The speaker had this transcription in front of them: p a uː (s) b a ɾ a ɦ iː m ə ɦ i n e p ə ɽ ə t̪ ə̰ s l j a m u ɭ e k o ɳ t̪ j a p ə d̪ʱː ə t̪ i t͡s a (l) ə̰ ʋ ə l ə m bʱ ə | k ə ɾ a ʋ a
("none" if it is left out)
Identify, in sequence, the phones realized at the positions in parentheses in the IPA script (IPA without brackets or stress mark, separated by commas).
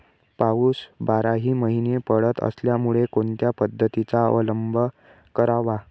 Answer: s, none